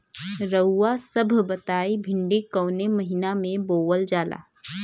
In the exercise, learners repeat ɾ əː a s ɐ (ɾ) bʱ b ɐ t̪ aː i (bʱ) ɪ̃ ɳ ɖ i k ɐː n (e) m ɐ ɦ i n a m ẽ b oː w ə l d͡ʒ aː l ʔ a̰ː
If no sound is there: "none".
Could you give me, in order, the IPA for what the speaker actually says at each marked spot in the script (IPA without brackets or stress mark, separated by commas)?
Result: none, bʱ, e